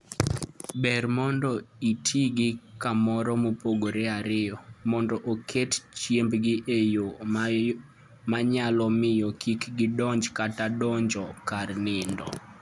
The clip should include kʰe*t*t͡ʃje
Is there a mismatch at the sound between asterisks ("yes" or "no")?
no